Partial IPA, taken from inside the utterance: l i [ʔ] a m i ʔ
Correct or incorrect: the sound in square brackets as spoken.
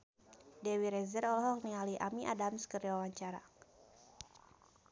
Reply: correct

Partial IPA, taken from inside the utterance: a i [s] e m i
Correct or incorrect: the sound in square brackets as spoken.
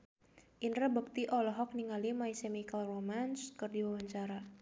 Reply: correct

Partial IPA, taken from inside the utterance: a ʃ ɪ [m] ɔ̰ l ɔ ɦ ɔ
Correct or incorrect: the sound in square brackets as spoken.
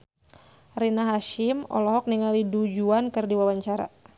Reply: correct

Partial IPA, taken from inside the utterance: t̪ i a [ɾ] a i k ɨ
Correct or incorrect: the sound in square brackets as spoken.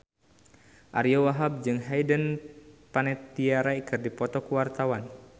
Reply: correct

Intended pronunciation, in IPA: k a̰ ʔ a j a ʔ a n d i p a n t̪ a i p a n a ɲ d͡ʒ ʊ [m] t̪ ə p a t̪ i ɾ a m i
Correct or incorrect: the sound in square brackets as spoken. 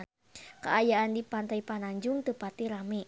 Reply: incorrect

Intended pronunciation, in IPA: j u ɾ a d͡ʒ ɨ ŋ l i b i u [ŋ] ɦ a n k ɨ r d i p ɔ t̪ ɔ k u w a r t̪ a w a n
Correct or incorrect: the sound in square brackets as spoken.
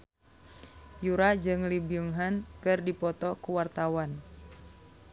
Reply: correct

